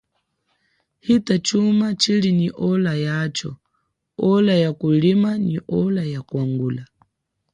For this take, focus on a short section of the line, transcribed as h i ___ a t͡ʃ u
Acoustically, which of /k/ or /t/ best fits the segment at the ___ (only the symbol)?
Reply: t